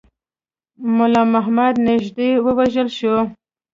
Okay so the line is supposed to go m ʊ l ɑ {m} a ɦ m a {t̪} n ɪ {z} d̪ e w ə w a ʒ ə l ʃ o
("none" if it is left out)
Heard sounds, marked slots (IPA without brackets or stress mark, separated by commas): m, d̪, ʒ